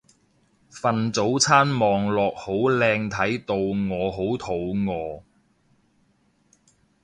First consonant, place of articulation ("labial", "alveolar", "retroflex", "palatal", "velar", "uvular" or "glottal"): labial